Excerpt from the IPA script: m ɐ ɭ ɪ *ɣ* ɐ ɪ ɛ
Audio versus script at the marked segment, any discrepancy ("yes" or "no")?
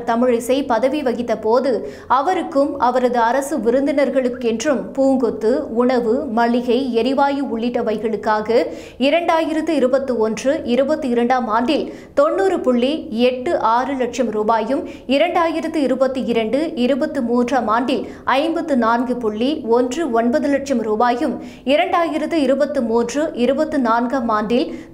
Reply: no